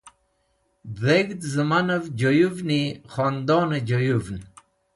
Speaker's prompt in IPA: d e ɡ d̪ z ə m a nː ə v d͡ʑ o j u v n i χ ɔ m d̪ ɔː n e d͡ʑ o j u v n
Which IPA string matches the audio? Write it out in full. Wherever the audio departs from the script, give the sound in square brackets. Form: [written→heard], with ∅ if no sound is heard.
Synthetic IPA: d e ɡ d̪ z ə m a [nː→n] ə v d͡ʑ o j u v n i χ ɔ [m→n] d̪ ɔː n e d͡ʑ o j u v n